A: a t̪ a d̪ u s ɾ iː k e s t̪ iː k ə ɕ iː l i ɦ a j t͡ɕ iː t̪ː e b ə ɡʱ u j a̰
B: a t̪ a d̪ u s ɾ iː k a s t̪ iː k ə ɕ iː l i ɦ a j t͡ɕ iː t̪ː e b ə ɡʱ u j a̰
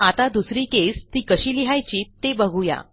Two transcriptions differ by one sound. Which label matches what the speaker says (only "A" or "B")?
A